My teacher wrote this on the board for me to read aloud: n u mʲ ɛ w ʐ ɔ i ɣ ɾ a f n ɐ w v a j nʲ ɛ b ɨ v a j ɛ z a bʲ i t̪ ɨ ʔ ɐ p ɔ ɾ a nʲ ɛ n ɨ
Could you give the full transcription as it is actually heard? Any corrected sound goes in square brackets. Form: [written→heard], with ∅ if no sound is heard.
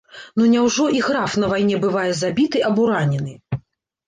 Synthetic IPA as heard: n u [mʲ→nʲ] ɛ w ʐ ɔ i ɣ ɾ a f n ɐ [w→∅] v a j nʲ ɛ b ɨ v a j ɛ z a bʲ i t̪ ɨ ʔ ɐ [p→b] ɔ ɾ a nʲ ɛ n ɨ